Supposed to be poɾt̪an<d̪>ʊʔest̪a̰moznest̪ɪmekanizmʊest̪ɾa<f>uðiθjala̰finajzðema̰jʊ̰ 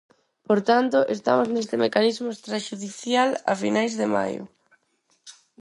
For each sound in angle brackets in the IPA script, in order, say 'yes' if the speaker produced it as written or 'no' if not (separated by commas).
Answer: no, no